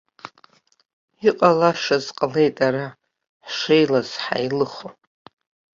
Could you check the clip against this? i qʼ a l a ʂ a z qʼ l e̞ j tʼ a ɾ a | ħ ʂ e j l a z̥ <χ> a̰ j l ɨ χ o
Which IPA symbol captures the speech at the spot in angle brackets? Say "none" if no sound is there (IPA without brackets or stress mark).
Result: ħ